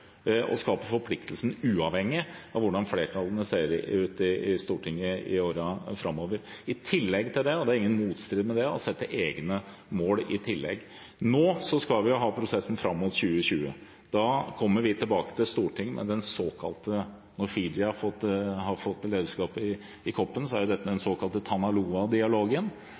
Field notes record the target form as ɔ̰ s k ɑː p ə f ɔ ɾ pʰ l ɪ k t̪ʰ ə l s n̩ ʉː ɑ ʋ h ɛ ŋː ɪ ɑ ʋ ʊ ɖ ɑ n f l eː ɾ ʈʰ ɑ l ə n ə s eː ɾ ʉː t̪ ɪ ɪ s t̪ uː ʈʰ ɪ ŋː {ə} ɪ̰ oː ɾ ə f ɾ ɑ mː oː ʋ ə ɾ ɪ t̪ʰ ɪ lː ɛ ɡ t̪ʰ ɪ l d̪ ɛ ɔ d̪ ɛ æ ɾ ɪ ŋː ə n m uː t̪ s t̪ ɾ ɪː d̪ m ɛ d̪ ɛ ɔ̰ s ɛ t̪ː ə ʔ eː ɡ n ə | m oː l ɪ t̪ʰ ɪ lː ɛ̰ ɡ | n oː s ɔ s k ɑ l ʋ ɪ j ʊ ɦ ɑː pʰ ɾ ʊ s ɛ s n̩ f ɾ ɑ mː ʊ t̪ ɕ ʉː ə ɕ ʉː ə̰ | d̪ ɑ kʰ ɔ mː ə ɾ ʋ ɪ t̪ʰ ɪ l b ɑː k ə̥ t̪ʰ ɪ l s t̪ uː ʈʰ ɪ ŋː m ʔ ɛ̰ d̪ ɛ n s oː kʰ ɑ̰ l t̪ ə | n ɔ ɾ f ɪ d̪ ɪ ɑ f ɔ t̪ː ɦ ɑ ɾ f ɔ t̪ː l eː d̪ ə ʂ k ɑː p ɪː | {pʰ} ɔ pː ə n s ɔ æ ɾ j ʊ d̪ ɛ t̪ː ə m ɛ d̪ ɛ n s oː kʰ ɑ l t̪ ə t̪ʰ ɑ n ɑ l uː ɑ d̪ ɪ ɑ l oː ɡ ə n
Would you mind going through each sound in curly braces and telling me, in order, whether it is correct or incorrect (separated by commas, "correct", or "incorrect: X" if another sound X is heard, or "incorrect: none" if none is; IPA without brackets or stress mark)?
correct, incorrect: kʰ